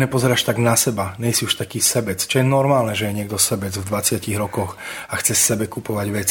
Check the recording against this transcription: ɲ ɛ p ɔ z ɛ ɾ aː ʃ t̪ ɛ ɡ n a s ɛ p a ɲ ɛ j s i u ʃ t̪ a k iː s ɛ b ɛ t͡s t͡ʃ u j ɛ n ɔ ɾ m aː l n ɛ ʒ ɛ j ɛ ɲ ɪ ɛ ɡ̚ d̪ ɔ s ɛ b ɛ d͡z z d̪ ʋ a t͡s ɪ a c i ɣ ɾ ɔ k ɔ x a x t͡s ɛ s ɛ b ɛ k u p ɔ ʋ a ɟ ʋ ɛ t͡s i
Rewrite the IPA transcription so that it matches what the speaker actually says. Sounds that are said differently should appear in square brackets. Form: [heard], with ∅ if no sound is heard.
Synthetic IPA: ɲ ɛ p ɔ z ɛ ɾ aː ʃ t̪ [a] ɡ n a s ɛ [b] a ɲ ɛ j s i u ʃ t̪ a k iː s ɛ b ɛ t͡s t͡ʃ [ɔ] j ɛ n ɔ ɾ m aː l n ɛ ʒ ɛ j ɛ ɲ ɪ ɛ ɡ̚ d̪ ɔ s ɛ b ɛ d͡z [v] d̪ ʋ a t͡s ɪ a c i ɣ ɾ ɔ k ɔ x a x t͡s ɛ s ɛ b ɛ k u p ɔ ʋ a ɟ ʋ ɛ t͡s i